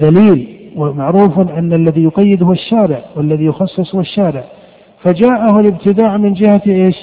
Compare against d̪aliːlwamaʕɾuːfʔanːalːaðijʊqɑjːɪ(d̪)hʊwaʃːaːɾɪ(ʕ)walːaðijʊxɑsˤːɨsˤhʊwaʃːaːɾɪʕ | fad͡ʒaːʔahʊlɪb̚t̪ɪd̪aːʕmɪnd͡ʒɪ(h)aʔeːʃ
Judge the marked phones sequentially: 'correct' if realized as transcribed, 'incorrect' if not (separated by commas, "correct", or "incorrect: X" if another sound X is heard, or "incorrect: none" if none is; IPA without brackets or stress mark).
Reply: correct, correct, correct